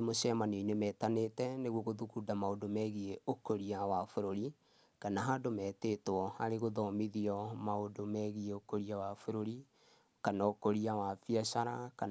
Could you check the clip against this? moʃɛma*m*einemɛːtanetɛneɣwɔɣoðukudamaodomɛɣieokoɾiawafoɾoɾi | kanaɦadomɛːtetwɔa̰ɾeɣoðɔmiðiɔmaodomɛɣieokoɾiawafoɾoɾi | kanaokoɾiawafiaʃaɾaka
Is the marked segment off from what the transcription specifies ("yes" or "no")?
yes